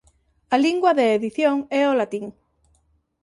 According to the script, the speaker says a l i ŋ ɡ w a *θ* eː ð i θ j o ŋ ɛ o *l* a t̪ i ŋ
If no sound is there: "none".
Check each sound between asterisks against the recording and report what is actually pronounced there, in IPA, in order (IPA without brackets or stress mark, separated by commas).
ð, l